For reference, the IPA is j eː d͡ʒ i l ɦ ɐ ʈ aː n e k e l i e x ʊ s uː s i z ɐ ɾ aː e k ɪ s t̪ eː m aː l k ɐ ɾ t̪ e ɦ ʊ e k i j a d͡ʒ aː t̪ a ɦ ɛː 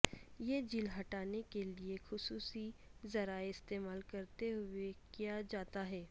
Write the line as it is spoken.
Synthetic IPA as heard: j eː d͡ʒ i l ɦ ɐ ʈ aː n e k e l i e x ʊ s uː s i z ɐ ɾ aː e ɪ s t̪ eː m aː l k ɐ ɾ t̪ e ɦ ʊ e k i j a d͡ʒ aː t̪ a ɦ ɛː